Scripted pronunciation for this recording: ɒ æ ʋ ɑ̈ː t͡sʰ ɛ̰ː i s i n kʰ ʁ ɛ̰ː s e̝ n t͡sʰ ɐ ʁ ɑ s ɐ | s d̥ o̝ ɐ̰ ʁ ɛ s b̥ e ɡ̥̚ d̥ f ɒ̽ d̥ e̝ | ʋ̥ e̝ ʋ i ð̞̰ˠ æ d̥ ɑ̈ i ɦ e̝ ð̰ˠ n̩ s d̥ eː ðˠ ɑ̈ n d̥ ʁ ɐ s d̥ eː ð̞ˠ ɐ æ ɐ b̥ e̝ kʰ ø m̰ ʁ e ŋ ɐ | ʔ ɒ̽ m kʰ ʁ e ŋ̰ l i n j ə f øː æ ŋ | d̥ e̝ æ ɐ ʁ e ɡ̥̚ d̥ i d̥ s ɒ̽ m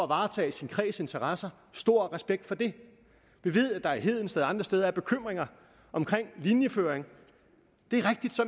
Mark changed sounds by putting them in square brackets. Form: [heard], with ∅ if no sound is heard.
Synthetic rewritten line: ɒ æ ʋ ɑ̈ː t͡sʰ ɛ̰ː i s i n kʰ ʁ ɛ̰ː s e̝ n t͡sʰ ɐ ʁ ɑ s ɐ | s d̥ o̝ ɐ̰ ʁ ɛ s b̥ e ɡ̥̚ d̥ f ɒ̽ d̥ e̝ | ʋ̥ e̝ ʋ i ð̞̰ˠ æ d̥ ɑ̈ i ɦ e̝ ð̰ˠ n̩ s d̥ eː ðˠ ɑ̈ n d̥ ʁ ɐ s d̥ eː ð̞ˠ ɐ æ ɐ b̥ e̝ kʰ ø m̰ ʁ e ŋ ɐ | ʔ ɒ̽ m kʰ ʁ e ŋ̰ l i n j ə f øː [e] ŋ | d̥ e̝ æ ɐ ʁ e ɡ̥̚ d̥ i d̥ s ɒ̽ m